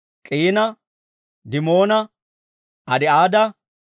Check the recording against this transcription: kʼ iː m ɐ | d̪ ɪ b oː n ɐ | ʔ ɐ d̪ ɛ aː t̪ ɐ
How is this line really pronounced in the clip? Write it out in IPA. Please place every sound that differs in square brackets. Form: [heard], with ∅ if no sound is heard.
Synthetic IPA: kʼ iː [n] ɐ | d̪ ɪ [m] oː n ɐ | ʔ ɐ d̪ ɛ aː [d̪] ɐ